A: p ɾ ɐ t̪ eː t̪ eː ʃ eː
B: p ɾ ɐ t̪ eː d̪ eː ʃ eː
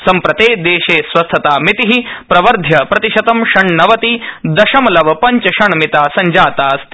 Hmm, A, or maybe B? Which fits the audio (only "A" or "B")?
B